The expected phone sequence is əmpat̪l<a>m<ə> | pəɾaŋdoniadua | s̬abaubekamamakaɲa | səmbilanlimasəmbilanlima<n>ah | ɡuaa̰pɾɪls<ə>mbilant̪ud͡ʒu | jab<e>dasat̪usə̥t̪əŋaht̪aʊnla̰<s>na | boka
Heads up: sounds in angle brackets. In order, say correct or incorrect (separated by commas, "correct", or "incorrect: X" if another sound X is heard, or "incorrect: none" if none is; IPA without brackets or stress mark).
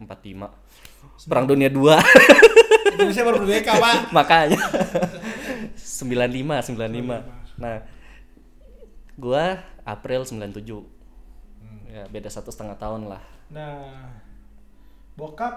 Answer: incorrect: i, incorrect: a, correct, correct, correct, incorrect: h